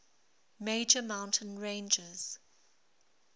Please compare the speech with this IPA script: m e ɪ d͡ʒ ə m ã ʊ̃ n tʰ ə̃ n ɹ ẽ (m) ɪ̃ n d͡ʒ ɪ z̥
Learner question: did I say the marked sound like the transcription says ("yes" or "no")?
no